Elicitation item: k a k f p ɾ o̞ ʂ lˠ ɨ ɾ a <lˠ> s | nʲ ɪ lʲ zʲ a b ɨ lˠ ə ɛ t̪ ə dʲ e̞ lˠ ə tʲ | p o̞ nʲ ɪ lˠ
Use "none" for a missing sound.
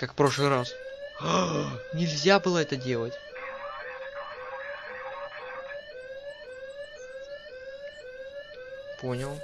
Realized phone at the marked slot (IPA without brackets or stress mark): none